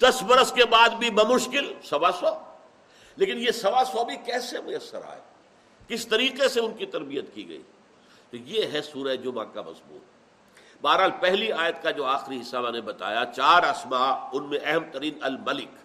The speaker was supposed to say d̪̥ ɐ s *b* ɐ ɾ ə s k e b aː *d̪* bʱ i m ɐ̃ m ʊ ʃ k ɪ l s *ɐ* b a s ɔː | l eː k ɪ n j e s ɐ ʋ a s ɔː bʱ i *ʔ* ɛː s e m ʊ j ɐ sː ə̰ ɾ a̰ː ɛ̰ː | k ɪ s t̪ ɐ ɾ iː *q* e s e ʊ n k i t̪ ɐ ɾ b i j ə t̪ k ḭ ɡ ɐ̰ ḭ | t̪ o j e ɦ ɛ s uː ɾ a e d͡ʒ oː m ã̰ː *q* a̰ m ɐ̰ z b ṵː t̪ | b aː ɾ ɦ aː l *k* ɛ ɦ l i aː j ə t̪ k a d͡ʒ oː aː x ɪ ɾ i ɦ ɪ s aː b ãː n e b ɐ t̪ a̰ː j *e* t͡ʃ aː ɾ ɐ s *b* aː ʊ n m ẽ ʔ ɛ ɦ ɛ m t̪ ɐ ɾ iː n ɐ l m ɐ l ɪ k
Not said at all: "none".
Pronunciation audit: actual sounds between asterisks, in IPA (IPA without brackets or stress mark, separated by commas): b, d̪, ɐ, k, q, k, p, a, m